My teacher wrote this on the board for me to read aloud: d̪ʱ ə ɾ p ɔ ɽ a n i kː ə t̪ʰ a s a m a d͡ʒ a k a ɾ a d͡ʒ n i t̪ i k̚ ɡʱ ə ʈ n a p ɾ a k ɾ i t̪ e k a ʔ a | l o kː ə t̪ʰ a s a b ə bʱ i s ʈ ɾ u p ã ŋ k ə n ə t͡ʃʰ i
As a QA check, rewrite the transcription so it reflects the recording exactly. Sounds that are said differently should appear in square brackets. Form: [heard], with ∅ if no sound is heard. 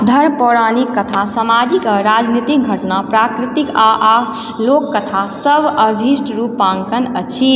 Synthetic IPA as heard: d̪ʱ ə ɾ p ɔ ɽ a n i kː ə t̪ʰ a s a m a d͡ʒ [i] k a ɾ a d͡ʒ n i t̪ i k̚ ɡʱ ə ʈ n a p ɾ a k ɾ i t̪ [i] k a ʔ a | l o kː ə t̪ʰ a s [ə] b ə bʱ i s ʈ ɾ u p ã ŋ k ə n ə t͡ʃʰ i